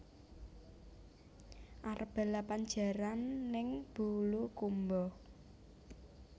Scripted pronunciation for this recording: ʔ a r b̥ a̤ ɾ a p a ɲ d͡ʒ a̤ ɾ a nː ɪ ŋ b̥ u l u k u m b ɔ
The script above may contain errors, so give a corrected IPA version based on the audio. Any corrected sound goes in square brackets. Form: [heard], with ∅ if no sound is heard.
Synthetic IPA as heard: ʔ a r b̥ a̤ [l] a p a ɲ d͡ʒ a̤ ɾ a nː ɪ ŋ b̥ u l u k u m b ɔ